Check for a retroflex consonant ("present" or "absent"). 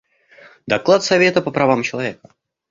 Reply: absent